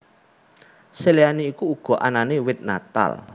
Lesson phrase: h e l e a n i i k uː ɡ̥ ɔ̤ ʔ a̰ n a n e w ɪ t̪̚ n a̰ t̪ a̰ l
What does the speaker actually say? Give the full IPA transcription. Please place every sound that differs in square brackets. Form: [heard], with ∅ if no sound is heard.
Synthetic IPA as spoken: [s] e l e a n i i k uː ɡ̥ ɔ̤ ʔ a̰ n a n e w ɪ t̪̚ n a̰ t̪ a̰ l